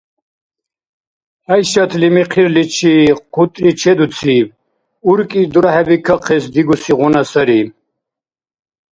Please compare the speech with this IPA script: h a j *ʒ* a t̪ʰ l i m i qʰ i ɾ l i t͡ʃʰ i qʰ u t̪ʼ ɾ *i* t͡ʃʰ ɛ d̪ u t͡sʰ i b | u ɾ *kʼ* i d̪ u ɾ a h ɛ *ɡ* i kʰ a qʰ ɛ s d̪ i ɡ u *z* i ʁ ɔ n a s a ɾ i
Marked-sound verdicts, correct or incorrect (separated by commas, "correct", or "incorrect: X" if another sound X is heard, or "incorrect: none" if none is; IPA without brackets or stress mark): incorrect: ʃ, correct, correct, incorrect: b, incorrect: s